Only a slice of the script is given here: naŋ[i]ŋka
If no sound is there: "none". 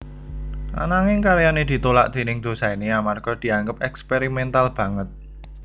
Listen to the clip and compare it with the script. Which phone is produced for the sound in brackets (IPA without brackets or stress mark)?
ɪ